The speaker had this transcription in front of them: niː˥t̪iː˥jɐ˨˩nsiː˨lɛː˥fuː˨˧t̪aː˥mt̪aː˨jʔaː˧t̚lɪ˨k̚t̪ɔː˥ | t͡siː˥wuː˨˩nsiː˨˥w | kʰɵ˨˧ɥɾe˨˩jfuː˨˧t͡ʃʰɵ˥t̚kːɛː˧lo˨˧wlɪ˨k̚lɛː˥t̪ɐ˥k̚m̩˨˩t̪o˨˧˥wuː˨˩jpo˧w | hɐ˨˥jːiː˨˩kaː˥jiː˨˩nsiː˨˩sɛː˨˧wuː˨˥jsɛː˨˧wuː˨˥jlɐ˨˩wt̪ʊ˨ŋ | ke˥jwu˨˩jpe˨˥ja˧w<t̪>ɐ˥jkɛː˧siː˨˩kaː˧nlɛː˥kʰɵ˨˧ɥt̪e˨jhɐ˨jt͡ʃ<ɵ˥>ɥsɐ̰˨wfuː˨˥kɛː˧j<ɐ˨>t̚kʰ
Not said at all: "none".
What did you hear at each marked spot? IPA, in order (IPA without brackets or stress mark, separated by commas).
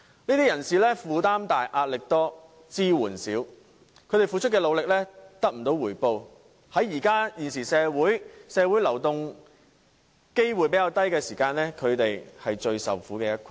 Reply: t̪, ɵ˧, ɐ˥